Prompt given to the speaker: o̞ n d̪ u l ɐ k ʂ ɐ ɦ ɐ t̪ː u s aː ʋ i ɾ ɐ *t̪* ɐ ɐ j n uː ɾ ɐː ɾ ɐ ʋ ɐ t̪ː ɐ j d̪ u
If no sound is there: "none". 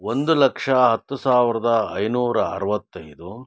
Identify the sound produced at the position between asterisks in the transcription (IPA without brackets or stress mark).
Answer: d̪